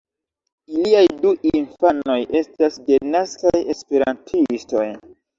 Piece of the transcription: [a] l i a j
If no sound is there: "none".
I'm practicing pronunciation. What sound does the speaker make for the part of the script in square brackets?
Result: i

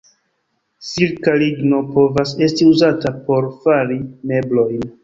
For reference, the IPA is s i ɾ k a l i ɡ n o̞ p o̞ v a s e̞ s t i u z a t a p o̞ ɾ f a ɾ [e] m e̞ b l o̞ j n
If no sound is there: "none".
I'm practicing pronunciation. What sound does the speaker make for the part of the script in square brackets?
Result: i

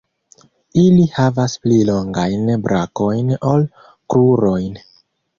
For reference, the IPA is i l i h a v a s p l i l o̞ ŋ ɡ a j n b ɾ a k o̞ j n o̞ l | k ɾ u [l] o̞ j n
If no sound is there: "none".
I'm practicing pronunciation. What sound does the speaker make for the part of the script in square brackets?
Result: ɾ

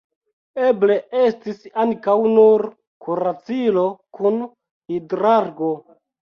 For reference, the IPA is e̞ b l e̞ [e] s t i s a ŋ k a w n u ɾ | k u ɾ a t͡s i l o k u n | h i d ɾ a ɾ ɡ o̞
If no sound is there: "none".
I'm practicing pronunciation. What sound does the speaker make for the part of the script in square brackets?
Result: e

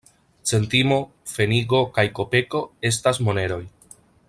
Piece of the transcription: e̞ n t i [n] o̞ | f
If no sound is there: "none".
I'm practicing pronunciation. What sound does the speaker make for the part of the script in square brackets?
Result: m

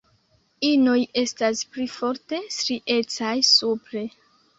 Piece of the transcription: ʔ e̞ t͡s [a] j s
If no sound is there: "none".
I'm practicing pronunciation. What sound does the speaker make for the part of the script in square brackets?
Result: a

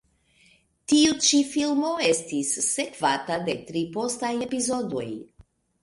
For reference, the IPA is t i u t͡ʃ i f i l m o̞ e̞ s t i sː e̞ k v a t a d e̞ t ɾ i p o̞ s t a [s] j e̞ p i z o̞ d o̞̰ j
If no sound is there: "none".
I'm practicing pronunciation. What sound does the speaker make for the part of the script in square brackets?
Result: none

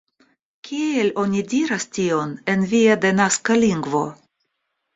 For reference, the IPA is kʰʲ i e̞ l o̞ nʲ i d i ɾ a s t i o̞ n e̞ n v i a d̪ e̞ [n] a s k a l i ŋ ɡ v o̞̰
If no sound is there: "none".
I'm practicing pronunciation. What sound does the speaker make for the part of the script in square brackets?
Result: n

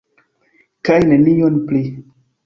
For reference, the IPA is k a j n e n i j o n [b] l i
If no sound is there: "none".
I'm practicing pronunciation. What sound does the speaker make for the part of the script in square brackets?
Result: p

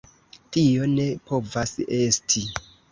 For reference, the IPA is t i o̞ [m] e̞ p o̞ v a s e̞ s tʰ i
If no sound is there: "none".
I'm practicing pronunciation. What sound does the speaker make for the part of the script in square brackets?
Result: n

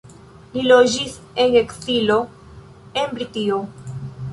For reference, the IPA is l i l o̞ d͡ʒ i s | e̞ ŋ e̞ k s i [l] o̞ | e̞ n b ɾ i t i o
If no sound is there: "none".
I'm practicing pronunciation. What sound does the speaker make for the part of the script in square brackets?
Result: l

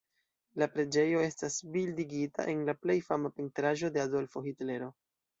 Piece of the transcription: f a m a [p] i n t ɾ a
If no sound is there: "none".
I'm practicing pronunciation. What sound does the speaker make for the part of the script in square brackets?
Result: p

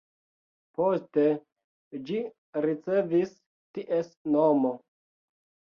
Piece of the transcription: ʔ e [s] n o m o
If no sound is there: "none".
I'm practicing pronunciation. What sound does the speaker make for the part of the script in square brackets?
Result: s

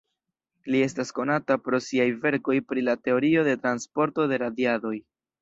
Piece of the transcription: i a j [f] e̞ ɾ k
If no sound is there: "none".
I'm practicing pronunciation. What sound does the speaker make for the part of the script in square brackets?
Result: v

